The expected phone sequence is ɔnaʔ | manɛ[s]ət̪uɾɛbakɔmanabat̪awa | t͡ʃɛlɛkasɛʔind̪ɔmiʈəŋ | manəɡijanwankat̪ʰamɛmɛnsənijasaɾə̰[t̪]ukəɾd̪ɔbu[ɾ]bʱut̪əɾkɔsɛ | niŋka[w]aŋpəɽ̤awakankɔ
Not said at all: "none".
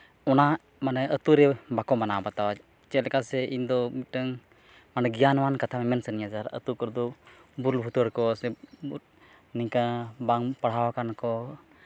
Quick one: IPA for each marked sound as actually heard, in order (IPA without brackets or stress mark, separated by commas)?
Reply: none, t̪, l, b